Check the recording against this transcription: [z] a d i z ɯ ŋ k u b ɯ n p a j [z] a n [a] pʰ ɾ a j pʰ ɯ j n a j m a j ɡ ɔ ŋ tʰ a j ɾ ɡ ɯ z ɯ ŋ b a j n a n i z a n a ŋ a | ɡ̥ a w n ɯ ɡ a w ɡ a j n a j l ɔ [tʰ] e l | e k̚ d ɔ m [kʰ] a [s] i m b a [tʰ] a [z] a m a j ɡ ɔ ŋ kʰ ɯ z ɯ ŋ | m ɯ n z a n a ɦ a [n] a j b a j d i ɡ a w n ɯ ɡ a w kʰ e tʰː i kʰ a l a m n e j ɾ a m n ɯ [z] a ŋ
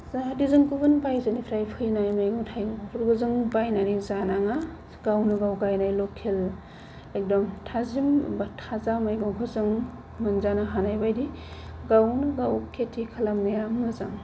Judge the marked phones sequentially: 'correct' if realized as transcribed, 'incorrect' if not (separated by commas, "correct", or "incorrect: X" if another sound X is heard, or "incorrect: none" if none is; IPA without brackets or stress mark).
correct, correct, incorrect: i, incorrect: kʰ, incorrect: tʰ, incorrect: z, correct, correct, correct, correct